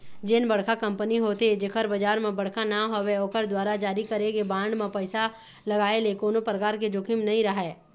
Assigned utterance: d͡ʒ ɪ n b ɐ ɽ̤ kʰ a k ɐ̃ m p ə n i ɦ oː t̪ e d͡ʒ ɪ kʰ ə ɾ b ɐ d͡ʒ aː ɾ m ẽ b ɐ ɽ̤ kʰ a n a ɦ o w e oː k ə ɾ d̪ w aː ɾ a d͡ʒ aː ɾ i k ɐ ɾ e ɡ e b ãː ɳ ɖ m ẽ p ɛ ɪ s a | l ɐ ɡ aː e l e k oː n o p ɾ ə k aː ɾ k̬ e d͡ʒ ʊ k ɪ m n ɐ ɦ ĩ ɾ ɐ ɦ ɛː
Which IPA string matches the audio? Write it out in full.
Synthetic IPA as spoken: d͡ʒ ɪ n b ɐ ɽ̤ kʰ a k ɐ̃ m p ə n i ɦ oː t̪ e d͡ʒ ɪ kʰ ə ɾ b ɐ d͡ʒ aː ɾ m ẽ b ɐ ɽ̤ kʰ a n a ɦ o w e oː k ə ɾ d̪ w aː ɾ a d͡ʒ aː ɾ i k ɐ ɾ e ɡ e b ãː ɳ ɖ m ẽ p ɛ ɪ s a | l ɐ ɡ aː e l e k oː n o p ɾ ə k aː ɾ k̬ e d͡ʒ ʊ k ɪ m n ɐ ɦ ĩ ɾ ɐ ɦ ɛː